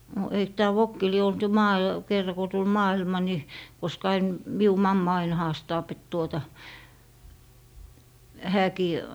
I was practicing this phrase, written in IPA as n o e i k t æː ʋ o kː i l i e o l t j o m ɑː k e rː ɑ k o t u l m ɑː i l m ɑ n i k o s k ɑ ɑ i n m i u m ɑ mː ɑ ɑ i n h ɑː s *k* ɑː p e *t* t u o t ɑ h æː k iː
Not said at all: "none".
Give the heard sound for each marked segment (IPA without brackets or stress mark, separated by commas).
t, t